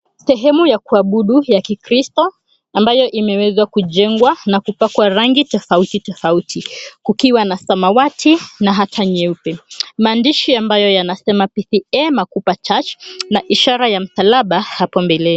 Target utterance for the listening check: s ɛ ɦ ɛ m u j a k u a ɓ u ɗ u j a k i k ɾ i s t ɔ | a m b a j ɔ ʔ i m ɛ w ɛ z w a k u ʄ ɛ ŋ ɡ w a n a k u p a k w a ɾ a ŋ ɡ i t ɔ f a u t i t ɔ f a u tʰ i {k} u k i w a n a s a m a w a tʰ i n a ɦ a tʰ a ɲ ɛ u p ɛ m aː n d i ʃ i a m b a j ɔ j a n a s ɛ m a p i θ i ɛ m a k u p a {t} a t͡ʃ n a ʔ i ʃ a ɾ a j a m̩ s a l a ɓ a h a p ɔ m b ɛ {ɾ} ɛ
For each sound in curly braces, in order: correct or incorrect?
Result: correct, incorrect: t͡ʃ, incorrect: l

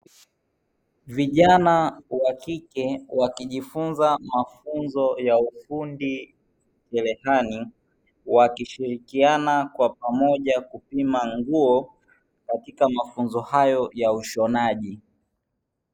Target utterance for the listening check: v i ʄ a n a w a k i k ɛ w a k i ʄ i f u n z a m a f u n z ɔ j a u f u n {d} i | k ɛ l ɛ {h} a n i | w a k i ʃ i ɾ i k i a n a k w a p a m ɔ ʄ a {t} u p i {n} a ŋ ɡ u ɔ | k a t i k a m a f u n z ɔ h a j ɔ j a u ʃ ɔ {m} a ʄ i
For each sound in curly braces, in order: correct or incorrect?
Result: correct, correct, incorrect: k, incorrect: m, incorrect: n

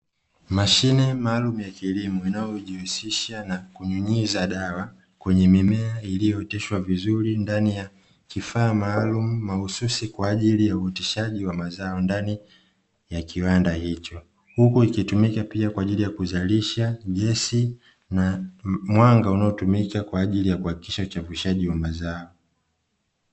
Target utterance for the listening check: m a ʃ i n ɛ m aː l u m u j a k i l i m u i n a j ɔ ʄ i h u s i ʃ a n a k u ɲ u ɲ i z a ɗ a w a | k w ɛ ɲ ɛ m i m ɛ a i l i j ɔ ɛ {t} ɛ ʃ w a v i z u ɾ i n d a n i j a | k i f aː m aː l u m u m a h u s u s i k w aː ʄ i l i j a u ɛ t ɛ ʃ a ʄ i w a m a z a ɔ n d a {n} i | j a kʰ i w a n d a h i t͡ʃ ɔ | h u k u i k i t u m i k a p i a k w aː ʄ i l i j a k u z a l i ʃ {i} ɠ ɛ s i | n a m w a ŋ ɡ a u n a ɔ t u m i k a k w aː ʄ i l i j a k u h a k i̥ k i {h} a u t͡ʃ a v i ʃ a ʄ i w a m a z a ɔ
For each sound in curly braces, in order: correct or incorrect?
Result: correct, correct, incorrect: a, incorrect: ʃ

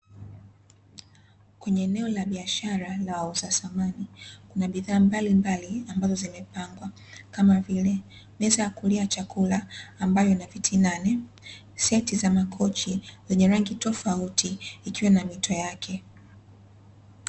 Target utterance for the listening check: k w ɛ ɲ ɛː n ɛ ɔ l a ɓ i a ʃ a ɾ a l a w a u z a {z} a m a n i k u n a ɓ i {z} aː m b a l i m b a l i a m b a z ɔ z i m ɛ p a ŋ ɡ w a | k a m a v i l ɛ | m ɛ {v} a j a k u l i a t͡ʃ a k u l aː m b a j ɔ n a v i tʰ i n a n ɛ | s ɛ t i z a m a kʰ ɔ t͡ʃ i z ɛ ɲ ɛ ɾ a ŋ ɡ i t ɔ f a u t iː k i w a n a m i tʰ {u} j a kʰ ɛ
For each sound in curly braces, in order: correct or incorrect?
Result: incorrect: s, incorrect: ð, incorrect: z, incorrect: ɔ

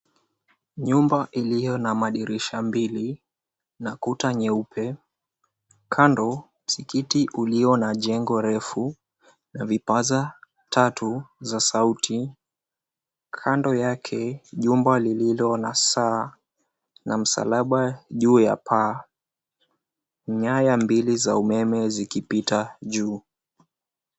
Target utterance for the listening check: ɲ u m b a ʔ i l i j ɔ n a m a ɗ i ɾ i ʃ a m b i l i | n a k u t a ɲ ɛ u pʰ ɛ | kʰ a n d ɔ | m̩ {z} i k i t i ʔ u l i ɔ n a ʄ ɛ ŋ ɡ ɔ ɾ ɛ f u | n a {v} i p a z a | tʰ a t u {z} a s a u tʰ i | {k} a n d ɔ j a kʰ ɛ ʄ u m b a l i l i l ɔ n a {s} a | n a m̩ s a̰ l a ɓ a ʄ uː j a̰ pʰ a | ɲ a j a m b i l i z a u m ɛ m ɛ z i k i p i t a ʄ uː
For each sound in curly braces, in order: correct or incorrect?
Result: incorrect: s, correct, correct, incorrect: kʰ, correct

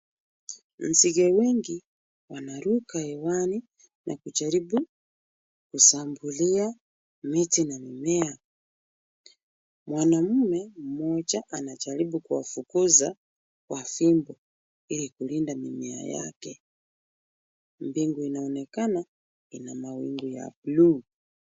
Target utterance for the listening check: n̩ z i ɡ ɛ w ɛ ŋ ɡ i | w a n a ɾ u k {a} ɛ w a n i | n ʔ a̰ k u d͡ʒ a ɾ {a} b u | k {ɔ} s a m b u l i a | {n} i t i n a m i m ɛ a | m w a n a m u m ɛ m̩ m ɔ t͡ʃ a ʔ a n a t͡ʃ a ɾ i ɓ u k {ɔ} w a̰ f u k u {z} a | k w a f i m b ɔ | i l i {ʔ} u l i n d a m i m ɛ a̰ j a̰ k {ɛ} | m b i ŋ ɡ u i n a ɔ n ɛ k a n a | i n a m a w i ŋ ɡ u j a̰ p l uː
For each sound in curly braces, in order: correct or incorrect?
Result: correct, incorrect: i, incorrect: u, incorrect: m, incorrect: u, correct, incorrect: k, correct

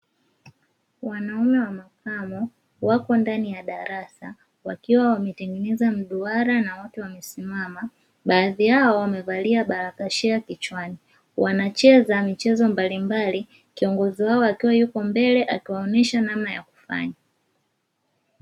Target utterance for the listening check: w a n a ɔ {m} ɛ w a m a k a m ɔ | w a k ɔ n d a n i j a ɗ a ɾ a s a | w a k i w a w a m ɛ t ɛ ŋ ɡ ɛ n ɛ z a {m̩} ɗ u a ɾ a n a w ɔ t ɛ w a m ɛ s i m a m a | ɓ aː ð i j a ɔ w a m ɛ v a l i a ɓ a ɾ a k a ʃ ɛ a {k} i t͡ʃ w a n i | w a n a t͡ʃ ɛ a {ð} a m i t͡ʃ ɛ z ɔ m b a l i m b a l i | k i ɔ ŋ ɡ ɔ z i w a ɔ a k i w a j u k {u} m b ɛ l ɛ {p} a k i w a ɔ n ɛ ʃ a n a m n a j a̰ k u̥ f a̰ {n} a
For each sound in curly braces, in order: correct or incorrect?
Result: correct, correct, correct, incorrect: z, incorrect: ɔ, incorrect: ʔ, incorrect: ɲ

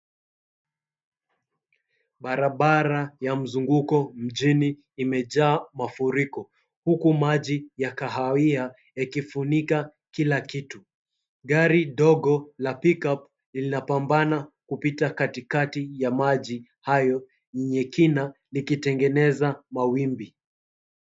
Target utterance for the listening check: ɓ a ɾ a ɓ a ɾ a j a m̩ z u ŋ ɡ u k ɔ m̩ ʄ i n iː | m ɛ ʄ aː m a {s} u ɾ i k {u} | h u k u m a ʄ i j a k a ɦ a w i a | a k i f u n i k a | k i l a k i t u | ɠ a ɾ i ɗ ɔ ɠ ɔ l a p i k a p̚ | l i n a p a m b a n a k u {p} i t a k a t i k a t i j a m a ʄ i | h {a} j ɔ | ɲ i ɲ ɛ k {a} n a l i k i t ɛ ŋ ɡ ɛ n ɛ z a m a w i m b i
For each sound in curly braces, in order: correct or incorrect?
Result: incorrect: f, incorrect: ɔ, correct, correct, incorrect: i

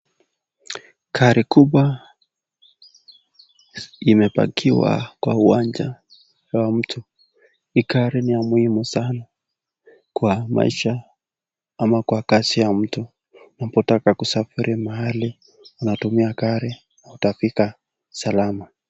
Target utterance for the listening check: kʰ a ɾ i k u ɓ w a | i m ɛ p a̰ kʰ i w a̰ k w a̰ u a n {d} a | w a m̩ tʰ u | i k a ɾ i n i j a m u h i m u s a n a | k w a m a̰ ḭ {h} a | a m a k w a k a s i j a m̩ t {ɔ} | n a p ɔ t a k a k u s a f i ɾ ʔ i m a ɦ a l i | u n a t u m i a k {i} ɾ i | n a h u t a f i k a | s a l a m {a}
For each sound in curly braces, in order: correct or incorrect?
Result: incorrect: d͡ʒ, incorrect: ʃ, incorrect: u, incorrect: a, correct

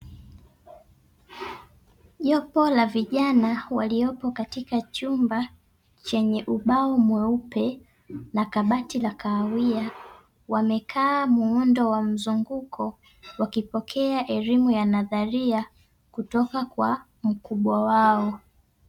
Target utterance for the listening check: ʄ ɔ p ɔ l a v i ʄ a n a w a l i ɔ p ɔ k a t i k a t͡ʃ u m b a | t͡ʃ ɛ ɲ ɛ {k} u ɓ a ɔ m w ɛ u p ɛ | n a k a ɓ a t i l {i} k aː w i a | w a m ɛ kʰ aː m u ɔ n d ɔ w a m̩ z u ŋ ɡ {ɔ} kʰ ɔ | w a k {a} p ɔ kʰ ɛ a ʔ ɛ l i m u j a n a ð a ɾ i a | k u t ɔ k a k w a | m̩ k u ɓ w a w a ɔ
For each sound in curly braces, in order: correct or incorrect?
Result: incorrect: ʔ, incorrect: a, incorrect: u, incorrect: i

